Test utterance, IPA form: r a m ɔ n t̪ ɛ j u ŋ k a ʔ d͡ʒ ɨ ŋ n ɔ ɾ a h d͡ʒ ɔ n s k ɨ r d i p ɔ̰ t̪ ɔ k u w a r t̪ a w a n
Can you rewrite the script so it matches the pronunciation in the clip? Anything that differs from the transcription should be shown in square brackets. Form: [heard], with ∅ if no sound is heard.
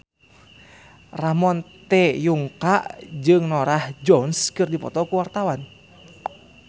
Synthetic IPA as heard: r a m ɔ n t̪ ɛ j u ŋ k a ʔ d͡ʒ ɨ ŋ n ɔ ɾ a h d͡ʒ ɔ n s k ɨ r d i p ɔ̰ t̪ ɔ k u w a r t̪ a w a n